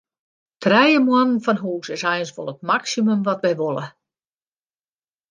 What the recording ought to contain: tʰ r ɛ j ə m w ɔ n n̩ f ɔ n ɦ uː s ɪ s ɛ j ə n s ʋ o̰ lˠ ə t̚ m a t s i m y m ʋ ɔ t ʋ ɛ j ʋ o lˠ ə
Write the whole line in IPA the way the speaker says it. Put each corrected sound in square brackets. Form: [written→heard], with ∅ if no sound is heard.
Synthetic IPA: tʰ r ɛ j ə m w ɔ n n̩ f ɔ n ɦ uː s ɪ s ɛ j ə n s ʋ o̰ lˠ ə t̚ m a [t→k] s i m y m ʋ ɔ t ʋ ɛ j ʋ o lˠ ə